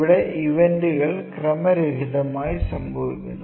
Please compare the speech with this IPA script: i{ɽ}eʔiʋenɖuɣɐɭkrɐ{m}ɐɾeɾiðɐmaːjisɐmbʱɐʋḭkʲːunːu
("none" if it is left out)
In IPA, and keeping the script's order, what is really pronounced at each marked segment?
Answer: ɽ, m

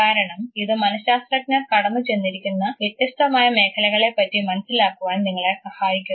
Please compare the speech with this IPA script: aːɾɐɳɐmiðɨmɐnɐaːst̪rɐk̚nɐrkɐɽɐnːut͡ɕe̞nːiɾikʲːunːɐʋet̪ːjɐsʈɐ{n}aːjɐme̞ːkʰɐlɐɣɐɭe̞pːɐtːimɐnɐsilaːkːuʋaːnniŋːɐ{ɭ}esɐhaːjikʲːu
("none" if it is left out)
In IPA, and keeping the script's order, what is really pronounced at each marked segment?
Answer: m, ɭ

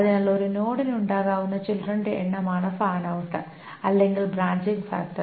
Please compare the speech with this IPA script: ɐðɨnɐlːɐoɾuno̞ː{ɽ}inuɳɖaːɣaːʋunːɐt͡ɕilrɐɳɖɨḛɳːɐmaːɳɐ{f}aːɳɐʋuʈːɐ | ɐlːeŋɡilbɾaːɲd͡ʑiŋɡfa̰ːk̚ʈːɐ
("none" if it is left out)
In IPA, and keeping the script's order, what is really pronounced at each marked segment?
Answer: ɽ, f

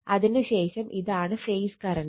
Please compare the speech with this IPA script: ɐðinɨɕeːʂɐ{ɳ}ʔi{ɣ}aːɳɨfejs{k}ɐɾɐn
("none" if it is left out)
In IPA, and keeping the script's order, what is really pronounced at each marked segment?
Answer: m, ð, k

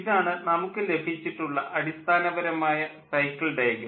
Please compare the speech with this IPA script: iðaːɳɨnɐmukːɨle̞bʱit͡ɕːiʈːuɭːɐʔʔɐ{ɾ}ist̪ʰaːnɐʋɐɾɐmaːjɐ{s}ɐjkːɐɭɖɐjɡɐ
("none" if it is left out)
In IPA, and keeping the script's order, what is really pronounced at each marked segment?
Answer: ɽ, s

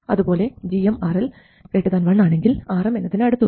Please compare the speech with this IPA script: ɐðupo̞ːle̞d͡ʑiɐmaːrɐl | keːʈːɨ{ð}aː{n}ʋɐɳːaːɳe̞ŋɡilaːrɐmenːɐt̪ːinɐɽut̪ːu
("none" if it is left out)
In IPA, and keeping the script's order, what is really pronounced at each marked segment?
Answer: ð, n

